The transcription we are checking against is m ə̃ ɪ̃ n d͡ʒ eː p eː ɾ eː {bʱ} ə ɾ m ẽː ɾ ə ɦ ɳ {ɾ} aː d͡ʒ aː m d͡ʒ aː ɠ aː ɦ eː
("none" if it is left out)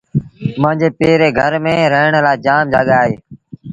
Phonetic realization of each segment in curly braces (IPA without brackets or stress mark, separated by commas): ɡʱ, l